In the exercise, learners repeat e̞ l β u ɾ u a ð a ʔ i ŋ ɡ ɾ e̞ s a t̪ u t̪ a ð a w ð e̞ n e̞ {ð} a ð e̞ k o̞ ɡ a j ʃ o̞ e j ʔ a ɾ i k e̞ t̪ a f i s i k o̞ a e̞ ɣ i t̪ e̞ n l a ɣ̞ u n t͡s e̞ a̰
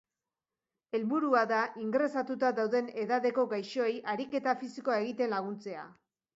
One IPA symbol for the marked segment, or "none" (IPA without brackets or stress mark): ð